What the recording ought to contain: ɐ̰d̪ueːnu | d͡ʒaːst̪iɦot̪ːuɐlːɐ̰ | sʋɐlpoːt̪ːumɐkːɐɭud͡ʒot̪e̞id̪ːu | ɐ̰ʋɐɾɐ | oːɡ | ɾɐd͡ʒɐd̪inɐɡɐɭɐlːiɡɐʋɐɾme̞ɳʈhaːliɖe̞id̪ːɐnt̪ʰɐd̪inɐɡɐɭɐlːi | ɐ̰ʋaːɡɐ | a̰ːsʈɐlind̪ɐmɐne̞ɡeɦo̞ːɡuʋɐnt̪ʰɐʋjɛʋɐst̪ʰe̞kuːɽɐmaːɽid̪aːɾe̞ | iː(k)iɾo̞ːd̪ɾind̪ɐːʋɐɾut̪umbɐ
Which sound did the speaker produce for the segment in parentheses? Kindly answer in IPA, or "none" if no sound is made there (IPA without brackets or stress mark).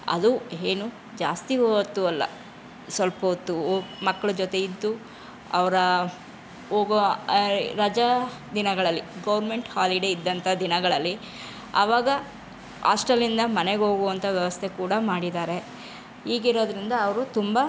ɡ